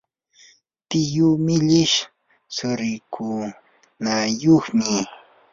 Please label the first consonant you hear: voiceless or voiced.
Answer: voiceless